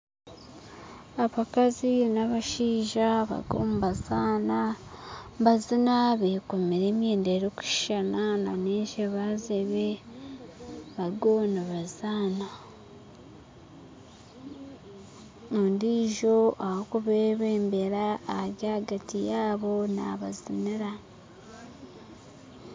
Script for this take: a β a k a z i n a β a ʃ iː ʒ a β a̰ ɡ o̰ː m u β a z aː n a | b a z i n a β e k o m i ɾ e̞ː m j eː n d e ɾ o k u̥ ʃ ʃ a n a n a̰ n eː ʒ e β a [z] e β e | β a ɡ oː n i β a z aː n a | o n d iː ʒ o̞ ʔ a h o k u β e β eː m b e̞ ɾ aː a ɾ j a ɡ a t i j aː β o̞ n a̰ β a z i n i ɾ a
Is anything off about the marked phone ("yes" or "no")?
no